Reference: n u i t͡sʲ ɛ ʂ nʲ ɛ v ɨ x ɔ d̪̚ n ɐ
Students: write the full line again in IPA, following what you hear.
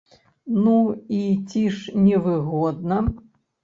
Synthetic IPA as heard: n u i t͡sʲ i ʂ nʲ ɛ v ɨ ɣ ɔ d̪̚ n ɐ